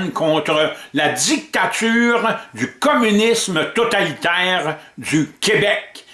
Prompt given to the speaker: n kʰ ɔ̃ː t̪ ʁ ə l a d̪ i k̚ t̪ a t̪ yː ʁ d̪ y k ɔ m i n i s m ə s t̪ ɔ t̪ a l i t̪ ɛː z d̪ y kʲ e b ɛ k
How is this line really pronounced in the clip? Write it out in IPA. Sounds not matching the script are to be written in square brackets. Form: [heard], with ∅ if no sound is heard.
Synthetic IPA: n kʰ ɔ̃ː t̪ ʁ ə l a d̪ i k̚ t̪ a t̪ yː ʁ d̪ y k ɔ m [y] n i s m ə [∅] t̪ ɔ t̪ a l i t̪ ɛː [ʁ] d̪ y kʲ e b ɛ k